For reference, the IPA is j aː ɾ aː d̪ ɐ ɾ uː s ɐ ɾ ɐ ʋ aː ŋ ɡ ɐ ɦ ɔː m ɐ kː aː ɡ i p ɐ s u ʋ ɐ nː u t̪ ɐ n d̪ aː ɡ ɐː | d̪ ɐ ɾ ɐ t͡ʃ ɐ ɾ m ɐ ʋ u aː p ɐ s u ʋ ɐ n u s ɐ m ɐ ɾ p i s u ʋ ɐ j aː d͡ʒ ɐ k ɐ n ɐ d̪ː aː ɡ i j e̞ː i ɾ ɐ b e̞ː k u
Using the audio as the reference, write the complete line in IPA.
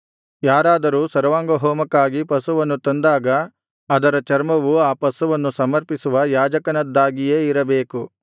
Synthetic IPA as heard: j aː ɾ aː d̪ ɐ ɾ uː s ɐ ɾ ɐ ʋ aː ŋ ɡ ɐ ɦ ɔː m ɐ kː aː ɡ i p ɐ s u ʋ ɐ nː u t̪ ɐ n d̪ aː ɡ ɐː | d̪ ɐ ɾ ɐ t͡ʃ ɐ ɾ m ɐ ʋ u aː p ɐ s u ʋ ɐ nː u s ɐ m ɐ ɾ p i s u ʋ ɐ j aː d͡ʒ ɐ k ɐ n ɐ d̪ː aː ɡ i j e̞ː i ɾ ɐ b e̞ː k u

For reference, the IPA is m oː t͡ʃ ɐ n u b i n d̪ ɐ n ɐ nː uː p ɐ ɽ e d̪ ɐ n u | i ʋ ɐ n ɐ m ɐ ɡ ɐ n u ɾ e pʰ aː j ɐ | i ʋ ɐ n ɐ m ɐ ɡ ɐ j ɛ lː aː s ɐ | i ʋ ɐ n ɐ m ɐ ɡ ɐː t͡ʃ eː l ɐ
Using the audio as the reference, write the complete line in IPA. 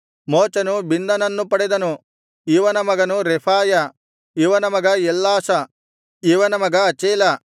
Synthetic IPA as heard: m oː t͡ʃ ɐ n u b i n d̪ ɐ n ɐ nː u p ɐ ɽ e d̪ ɐ n u | i ʋ ɐ n ɐ m ɐ ɡ ɐ n u ɾ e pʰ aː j ɐ | i ʋ ɐ n ɐ m ɐ ɡ ɐ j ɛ lː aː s ɐ | i ʋ ɐ n ɐ m ɐ ɡ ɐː t͡ʃ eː l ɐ

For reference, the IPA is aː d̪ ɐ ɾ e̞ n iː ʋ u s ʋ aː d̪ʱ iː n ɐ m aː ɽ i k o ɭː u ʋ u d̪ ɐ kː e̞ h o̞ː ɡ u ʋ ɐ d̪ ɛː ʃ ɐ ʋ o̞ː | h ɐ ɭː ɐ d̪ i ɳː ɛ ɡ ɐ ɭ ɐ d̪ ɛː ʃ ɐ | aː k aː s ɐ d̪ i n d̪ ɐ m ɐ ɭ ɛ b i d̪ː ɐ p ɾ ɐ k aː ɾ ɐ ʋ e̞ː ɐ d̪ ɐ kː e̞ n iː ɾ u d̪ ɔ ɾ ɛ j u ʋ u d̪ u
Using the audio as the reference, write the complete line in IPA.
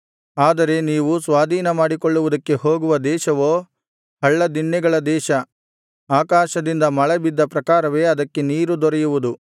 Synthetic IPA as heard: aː d̪ ɐ ɾ e̞ n iː ʋ u s ʋ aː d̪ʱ iː n ɐ m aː ɽ i k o ɭː u ʋ u d̪ ɐ kː e̞ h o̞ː ɡ u ʋ ɐ d̪ ɛː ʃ ɐ ʋ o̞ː | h ɐ ɭː ɐ d̪ i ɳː ɛ ɡ ɐ ɭ ɐ d̪ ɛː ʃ ɐ | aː k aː ʃ ɐ d̪ i n d̪ ɐ m ɐ ɭ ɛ b i d̪ː ɐ p ɾ ɐ k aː ɾ ɐ ʋ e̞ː ɐ d̪ ɐ kː e̞ n iː ɾ u d̪ ɔ ɾ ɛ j u ʋ u d̪ u

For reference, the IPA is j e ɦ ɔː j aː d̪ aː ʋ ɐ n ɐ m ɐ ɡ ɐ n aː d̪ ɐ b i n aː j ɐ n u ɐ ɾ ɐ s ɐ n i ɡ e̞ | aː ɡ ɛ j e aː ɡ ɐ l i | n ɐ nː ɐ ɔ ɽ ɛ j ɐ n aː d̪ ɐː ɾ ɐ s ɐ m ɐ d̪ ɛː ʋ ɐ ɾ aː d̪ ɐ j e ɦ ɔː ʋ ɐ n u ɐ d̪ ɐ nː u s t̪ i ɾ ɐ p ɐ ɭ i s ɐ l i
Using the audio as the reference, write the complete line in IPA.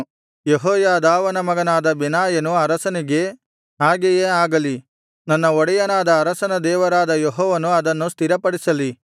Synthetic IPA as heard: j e ɦ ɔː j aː d̪ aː ʋ ɐ n ɐ m ɐ ɡ ɐ n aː d̪ ɐ b i n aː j ɐ n u ɐ ɾ ɐ s ɐ n i ɡ e̞ | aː ɡ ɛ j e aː ɡ ɐ l i | n ɐ nː ɐ ɔ ɽ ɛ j ɐ n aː d̪ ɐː ɾ ɐ s ɐ n ɐ d̪ ɛː ʋ ɐ ɾ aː d̪ ɐ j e ɦ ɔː ʋ ɐ n u ɐ d̪ ɐ nː u s t̪ i ɾ ɐ p ɐ ɽ i s ɐ l i

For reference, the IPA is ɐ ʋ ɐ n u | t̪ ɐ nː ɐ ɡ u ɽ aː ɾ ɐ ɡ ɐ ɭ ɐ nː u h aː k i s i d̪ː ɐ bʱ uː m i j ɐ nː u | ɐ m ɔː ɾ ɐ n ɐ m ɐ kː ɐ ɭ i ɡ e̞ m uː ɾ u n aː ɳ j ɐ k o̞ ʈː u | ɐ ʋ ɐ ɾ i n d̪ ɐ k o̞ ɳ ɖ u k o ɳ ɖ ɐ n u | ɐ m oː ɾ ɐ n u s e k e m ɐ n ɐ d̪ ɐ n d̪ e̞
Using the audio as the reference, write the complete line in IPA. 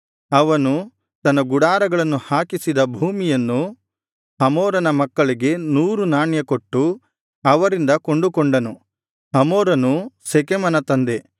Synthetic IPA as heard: ɐ ʋ ɐ n u | t̪ ɐ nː ɐ ɡ u ɽ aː ɾ ɐ ɡ ɐ ɭ ɐ nː u h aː k i s i d̪ ɐ bʱ uː m i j ɐ nː u | ɐ m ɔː ɾ ɐ n ɐ m ɐ kː ɐ ɭ i ɡ e̞ n uː ɾ u n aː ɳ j ɐ k o̞ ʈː u | ɐ ʋ ɐ ɾ i n d̪ ɐ k o̞ ɳ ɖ u k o ɳ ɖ ɐ n u | ɐ m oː ɾ ɐ n u s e k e m ɐ n ɐ t̪ ɐ n d̪ e̞

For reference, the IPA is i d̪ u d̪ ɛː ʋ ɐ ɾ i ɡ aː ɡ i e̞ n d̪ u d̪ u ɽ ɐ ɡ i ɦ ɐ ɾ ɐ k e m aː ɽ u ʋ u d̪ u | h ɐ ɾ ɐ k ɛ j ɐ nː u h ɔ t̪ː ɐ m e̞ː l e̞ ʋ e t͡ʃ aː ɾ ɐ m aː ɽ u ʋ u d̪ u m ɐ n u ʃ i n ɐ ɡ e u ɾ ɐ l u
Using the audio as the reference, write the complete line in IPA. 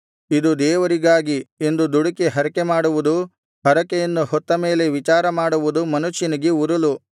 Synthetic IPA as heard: i d̪ u d̪ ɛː ʋ ɐ ɾ i ɡ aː ɡ i e̞ n d̪ u d̪ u ɽ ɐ k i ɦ ɐ ɾ ɐ k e m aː ɽ u ʋ u d̪ u | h ɐ ɾ ɐ k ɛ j ɐ nː u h ɔ t̪ː ɐ m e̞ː l e̞ ʋ i t͡ʃ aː ɾ ɐ m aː ɽ u ʋ u d̪ u m ɐ n u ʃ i n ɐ ɡ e u ɾ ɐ l u

